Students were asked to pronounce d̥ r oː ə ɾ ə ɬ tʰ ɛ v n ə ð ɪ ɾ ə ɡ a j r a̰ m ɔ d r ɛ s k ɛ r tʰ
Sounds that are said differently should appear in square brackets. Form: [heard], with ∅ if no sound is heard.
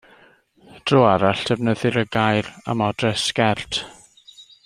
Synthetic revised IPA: d̥ r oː [a] ɾ [a] ɬ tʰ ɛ v n ə ð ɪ ɾ ə ɡ a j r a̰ m ɔ d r ɛ s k ɛ r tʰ